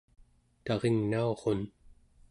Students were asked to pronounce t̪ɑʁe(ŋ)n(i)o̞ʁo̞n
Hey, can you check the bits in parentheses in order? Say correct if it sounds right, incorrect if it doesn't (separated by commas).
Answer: correct, incorrect